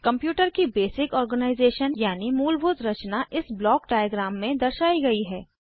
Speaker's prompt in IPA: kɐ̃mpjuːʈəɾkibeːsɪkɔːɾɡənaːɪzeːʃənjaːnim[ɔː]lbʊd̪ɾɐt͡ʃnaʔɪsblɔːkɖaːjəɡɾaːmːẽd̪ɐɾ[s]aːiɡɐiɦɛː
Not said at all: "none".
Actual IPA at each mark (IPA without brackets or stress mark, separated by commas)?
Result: uː, ʃ